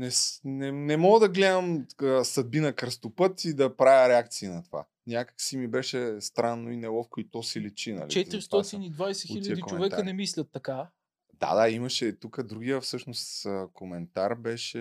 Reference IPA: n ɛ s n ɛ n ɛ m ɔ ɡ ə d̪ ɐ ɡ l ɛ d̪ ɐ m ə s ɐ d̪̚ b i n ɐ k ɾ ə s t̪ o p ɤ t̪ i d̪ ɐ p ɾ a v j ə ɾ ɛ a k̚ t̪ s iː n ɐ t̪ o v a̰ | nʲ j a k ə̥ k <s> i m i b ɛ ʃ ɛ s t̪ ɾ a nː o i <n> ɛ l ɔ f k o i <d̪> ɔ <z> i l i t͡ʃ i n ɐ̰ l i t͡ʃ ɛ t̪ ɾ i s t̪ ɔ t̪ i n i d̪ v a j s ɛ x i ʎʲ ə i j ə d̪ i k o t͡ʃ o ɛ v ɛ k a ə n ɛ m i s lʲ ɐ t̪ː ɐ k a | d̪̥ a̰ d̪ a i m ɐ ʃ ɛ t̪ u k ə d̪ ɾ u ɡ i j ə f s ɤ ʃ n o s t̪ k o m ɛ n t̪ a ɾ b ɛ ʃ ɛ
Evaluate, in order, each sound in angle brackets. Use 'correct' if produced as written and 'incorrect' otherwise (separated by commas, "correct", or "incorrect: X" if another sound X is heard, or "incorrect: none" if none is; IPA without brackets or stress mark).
correct, correct, incorrect: t̪, incorrect: s